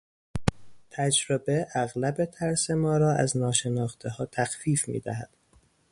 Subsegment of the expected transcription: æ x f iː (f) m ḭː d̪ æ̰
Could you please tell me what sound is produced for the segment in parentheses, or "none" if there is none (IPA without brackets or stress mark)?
f